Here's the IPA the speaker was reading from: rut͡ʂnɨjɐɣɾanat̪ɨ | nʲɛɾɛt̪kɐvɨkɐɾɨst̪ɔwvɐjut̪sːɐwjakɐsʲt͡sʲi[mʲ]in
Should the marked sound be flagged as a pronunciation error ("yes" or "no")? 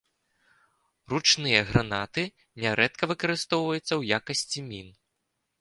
no